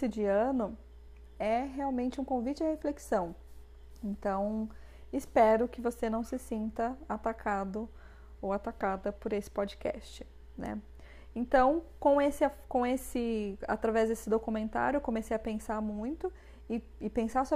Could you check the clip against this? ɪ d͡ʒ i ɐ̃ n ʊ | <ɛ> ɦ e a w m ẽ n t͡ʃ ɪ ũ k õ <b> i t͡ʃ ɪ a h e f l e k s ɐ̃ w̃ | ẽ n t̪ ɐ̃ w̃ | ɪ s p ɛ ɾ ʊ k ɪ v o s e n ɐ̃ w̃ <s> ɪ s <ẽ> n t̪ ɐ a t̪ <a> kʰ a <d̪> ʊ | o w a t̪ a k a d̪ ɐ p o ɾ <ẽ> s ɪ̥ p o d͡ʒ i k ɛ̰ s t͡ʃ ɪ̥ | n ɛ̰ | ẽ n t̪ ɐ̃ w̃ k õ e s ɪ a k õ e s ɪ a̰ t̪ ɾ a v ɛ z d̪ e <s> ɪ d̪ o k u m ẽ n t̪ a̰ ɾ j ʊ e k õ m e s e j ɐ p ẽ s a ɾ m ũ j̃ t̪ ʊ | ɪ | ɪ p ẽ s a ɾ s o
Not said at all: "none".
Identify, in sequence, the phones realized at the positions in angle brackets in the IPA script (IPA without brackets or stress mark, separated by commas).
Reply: ɛ, v, s, ĩ, a, d̪, e, s